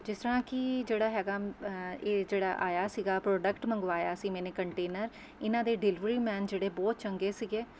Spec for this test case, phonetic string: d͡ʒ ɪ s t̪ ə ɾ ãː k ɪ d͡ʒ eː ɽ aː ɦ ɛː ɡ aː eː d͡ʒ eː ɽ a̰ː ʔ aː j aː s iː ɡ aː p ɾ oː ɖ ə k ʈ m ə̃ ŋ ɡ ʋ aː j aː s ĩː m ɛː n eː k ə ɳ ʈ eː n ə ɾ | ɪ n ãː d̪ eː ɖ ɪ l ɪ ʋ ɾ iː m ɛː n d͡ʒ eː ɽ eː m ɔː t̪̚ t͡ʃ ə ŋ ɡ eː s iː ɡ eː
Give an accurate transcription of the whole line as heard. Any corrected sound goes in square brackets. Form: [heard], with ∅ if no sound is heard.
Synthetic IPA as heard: d͡ʒ ɪ s t̪ ə ɾ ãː k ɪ d͡ʒ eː ɽ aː ɦ ɛː ɡ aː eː d͡ʒ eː ɽ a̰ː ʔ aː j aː s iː ɡ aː p ɾ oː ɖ ə k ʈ m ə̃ ŋ ɡ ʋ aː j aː s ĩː m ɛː n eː k ə ɳ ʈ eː n ə ɾ | ɪ n ãː d̪ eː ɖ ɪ l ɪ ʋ ɾ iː m ɛː n d͡ʒ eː ɽ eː [b] ɔː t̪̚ t͡ʃ ə ŋ ɡ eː s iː ɡ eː

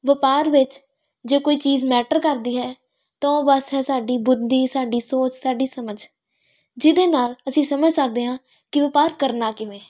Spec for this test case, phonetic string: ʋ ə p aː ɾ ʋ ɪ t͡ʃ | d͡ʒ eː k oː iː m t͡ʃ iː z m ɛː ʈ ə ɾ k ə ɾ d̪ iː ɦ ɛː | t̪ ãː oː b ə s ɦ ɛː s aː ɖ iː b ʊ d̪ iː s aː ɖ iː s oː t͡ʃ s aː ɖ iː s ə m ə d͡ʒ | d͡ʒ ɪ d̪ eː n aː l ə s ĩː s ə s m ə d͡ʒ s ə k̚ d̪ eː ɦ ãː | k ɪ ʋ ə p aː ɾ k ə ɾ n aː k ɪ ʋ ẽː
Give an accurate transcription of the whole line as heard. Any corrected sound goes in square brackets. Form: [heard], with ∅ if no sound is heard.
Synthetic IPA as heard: ʋ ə p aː ɾ ʋ ɪ t͡ʃ | d͡ʒ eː k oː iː [∅] t͡ʃ iː z m ɛː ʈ ə ɾ k ə ɾ d̪ iː ɦ ɛː | t̪ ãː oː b ə s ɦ ɛː s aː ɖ iː b ʊ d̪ iː s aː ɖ iː s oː t͡ʃ s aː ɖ iː s ə m ə d͡ʒ | d͡ʒ ɪ d̪ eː n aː l ə s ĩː s ə [∅] m ə d͡ʒ s ə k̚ d̪ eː ɦ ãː | k ɪ ʋ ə p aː ɾ k ə ɾ n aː k ɪ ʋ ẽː

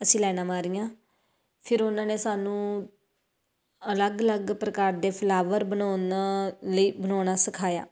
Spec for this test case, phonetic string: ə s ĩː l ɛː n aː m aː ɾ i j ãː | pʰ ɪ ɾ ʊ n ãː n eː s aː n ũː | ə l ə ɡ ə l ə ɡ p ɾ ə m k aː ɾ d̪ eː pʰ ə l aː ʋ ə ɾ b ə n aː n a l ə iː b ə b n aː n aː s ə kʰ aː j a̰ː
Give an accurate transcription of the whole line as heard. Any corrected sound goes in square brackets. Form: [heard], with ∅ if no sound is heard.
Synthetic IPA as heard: ə s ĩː l ɛː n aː m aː ɾ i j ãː | pʰ ɪ ɾ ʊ n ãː n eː s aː n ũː | ə l ə ɡ ə l ə ɡ p ɾ ə [∅] k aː ɾ d̪ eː pʰ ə l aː ʋ ə ɾ b ə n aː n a l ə iː b ə [∅] n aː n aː s ə kʰ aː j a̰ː

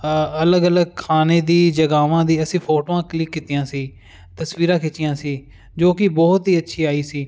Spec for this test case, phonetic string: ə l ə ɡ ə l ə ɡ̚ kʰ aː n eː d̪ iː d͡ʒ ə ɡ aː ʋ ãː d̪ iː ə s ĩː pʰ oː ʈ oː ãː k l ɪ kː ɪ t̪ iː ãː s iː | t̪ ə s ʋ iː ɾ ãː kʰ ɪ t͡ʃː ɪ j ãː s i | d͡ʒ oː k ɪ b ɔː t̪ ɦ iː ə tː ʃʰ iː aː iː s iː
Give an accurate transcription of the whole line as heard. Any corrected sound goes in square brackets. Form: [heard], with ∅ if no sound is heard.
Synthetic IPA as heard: ə l ə ɡ ə l ə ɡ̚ kʰ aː n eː d̪ iː d͡ʒ ə ɡ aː ʋ ãː d̪ iː ə s ĩː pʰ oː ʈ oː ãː k l ɪ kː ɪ t̪ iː ãː s iː | t̪ ə s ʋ iː ɾ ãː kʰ ɪ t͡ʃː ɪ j ãː s [iː] | d͡ʒ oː k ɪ b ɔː t̪ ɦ iː ə tː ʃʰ iː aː iː s iː

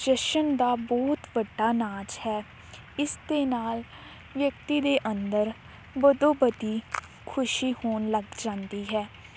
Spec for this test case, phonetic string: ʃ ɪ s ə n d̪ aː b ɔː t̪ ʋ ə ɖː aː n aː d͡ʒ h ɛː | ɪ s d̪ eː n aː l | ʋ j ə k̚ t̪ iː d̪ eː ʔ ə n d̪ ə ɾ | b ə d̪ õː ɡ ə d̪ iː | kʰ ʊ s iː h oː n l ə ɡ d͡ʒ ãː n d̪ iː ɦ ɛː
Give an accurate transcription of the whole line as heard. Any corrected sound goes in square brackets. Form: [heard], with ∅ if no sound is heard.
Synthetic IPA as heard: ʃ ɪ [ʃ] ə n d̪ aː b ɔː t̪ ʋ ə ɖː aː n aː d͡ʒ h ɛː | ɪ s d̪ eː n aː l | ʋ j ə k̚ t̪ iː d̪ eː ʔ ə n d̪ ə ɾ | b ə d̪ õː [b] ə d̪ iː | kʰ ʊ [ʃ] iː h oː n l ə ɡ d͡ʒ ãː n d̪ iː ɦ ɛː

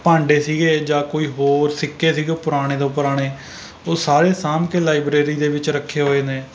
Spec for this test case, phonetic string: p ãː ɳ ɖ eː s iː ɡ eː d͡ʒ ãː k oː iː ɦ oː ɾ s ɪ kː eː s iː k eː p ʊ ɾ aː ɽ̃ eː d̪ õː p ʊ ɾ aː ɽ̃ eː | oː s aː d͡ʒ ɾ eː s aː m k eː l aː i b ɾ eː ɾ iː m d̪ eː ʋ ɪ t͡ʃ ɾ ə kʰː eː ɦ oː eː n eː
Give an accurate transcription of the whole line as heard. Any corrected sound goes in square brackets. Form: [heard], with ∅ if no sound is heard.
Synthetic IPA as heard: p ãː ɳ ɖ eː s iː ɡ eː d͡ʒ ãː k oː iː ɦ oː ɾ s ɪ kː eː s iː [ɡ] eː p ʊ ɾ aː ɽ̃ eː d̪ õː p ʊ ɾ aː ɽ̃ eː | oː s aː [∅] ɾ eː s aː m k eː l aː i b ɾ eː ɾ iː [∅] d̪ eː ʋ ɪ t͡ʃ ɾ ə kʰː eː ɦ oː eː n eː

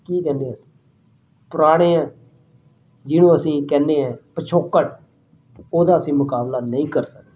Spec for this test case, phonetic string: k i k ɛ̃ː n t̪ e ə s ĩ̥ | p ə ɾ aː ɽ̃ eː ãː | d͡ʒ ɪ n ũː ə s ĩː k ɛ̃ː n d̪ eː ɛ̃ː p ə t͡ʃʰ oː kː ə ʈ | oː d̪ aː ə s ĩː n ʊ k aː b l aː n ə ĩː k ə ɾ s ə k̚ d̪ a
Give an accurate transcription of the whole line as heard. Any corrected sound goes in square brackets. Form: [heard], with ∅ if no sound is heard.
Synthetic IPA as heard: k [iː] k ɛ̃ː n [d̪] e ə s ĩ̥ | p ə ɾ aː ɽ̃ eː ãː | d͡ʒ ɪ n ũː ə s ĩː k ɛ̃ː n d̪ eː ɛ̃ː p ə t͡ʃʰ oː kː ə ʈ | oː d̪ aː ə s ĩː [m] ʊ k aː b l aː n ə ĩː k ə ɾ s ə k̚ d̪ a

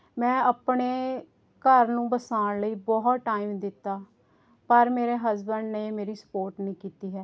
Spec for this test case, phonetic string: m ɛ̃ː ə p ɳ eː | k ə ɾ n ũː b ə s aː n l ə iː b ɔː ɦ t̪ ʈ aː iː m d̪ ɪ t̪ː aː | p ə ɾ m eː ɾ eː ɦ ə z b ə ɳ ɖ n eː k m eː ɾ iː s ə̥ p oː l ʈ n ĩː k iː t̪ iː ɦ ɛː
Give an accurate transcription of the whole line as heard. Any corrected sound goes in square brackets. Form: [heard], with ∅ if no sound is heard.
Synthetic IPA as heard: m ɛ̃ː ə p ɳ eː | k ə ɾ n ũː b ə s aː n l ə iː b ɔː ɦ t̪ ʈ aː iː m d̪ ɪ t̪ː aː | p ə ɾ m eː ɾ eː ɦ ə z b ə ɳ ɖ n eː [∅] m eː ɾ iː s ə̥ p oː [ɾ] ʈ n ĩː k iː t̪ iː ɦ ɛː

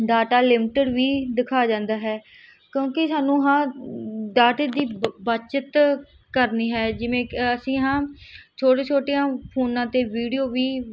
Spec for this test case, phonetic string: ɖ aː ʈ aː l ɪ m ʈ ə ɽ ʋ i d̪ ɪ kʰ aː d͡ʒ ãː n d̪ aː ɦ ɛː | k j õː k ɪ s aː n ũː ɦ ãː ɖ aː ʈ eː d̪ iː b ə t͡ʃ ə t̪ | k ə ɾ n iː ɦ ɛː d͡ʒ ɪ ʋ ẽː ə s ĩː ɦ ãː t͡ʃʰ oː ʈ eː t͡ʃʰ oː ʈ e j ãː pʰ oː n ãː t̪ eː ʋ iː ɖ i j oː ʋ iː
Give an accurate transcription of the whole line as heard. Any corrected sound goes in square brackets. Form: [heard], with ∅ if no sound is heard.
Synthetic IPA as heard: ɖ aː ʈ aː l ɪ m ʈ ə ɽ ʋ [iː] d̪ ɪ kʰ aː d͡ʒ ãː n d̪ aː ɦ ɛː | k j õː k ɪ s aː n ũː ɦ ãː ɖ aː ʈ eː d̪ iː b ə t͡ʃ ə t̪ | k ə ɾ n iː ɦ ɛː d͡ʒ ɪ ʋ ẽː ə s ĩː ɦ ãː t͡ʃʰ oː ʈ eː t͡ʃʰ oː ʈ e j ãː pʰ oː n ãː t̪ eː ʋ iː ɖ i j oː ʋ iː

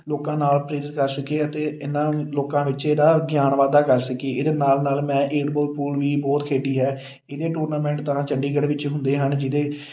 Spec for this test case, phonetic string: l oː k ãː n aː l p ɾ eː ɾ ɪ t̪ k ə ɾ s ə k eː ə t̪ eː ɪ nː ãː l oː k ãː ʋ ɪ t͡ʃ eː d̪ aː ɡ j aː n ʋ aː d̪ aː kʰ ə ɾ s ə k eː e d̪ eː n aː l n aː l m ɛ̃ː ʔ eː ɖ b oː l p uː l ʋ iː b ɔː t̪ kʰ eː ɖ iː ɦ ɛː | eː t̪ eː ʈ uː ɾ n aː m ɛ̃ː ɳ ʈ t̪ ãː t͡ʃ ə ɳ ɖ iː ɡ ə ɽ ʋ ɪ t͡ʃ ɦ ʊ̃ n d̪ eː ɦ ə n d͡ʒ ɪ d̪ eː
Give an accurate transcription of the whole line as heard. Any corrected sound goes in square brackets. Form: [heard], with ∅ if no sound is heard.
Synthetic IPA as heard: l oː k ãː n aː l p ɾ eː ɾ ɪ t̪ k ə ɾ s ə k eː ə t̪ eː ɪ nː ãː l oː k ãː ʋ ɪ t͡ʃ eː d̪ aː ɡ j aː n ʋ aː d̪ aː [k] ə ɾ s ə k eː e d̪ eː n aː l n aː l m ɛ̃ː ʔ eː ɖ b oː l p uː l ʋ iː b ɔː t̪ kʰ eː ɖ iː ɦ ɛː | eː [d̪] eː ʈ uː ɾ n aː m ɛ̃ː ɳ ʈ t̪ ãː t͡ʃ ə ɳ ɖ iː ɡ ə ɽ ʋ ɪ t͡ʃ ɦ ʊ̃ n d̪ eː ɦ ə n d͡ʒ ɪ d̪ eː

